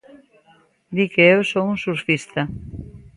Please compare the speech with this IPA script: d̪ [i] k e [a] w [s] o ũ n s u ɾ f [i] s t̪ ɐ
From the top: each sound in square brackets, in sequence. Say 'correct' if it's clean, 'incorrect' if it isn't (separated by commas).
correct, incorrect, correct, correct